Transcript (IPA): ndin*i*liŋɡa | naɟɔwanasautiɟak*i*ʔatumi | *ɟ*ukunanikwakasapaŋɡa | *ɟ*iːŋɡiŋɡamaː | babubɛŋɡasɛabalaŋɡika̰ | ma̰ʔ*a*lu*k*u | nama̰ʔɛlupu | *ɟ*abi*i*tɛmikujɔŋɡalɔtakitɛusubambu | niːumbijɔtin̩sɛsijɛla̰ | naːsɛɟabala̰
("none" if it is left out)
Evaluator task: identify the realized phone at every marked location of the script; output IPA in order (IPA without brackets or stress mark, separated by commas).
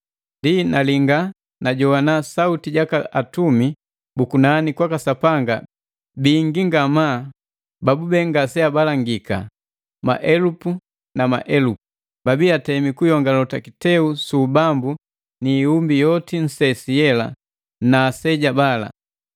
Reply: a, a, b, b, ɛ, p, b, a